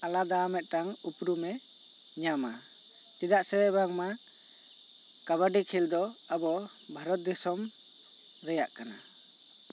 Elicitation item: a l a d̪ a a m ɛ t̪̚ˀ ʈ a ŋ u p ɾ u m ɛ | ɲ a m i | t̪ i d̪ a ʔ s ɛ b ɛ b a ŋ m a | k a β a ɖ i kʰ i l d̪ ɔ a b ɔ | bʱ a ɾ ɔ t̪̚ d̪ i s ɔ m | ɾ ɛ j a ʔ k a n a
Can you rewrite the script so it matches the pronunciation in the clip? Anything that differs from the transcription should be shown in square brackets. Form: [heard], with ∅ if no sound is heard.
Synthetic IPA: a l a d̪ a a m ɛ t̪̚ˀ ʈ a ŋ u p ɾ u m ɛ | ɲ a m [a] | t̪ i d̪ a ʔ s ɛ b ɛ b a ŋ m a | k a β a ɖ i kʰ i l d̪ ɔ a b ɔ | bʱ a ɾ ɔ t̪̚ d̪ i s ɔ m | ɾ ɛ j a ʔ k a n a